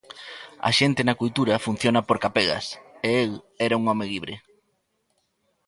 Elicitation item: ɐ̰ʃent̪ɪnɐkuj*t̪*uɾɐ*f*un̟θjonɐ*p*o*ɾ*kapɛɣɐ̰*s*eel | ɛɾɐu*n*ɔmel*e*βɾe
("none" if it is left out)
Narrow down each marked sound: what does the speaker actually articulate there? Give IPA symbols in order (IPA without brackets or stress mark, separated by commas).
t̪, f, p, ɾ, s, ŋ, i